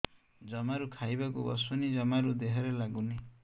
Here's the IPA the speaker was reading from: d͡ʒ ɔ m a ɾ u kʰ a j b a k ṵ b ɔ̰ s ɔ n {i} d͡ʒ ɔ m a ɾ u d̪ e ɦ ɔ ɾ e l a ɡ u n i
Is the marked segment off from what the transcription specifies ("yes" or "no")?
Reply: no